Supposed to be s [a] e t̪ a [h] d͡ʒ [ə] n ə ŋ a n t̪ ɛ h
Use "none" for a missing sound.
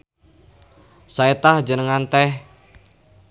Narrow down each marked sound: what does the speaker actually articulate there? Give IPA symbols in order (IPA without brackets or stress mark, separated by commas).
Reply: a, h, ə